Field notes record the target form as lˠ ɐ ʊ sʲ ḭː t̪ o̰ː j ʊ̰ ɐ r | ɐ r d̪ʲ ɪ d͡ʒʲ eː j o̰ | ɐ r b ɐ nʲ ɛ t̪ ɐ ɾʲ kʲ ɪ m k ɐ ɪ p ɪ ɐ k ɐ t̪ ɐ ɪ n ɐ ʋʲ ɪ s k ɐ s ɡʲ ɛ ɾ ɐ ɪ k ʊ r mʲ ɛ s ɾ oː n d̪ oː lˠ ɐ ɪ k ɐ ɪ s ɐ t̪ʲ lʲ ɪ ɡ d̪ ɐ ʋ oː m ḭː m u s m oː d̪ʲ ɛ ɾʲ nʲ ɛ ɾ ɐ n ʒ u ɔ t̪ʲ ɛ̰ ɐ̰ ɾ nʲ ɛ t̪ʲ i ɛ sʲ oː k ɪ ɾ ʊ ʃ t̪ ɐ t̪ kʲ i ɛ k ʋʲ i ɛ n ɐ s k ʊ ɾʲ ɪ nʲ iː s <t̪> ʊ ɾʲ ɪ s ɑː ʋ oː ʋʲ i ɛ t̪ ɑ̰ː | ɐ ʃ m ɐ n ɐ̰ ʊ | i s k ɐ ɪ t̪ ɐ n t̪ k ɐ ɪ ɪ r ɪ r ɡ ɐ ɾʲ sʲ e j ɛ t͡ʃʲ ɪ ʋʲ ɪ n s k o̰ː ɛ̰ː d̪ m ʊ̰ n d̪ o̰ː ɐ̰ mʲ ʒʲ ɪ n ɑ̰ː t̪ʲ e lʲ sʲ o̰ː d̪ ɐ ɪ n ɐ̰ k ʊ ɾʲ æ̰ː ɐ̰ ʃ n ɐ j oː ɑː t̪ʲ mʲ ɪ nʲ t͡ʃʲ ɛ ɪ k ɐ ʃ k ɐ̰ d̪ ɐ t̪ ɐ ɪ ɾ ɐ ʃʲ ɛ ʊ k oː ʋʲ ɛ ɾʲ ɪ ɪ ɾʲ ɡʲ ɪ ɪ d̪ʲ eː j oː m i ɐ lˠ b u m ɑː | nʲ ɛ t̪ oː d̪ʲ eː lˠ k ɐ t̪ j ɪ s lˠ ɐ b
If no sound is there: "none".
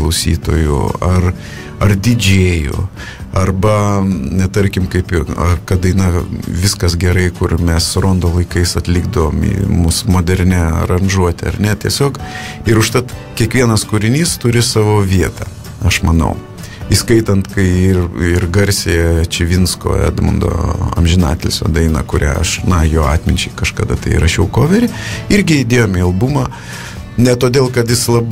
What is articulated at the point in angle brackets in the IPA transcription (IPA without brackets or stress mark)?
t̪